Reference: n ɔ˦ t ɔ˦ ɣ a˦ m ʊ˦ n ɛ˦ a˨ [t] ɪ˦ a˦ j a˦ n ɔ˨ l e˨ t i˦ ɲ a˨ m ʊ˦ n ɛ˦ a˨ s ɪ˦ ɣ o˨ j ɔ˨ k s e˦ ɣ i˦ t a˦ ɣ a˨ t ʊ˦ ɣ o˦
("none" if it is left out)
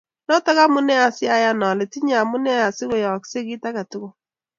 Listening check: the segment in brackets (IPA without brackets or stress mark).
s